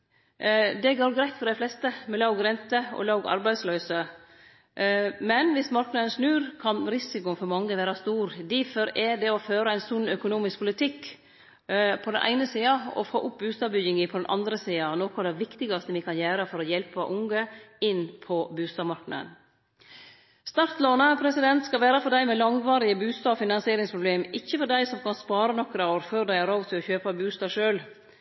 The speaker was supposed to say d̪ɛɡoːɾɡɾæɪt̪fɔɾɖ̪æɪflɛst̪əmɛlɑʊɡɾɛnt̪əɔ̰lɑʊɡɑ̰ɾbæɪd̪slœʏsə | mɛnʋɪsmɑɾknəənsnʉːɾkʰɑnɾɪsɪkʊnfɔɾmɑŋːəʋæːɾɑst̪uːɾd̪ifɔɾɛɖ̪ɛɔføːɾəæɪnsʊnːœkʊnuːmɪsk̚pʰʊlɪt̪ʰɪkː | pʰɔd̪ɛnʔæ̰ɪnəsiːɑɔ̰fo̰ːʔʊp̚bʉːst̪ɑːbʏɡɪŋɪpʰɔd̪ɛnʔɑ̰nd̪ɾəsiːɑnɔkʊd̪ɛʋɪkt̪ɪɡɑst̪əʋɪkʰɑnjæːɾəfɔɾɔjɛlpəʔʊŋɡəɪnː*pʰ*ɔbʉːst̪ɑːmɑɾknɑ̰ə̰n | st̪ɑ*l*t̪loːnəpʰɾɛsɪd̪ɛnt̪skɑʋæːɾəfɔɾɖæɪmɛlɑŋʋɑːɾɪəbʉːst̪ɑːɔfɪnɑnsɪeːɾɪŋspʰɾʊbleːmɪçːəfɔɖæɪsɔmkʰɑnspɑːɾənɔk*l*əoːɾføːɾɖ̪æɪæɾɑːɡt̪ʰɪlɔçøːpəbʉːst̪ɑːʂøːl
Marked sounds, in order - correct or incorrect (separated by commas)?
correct, incorrect, incorrect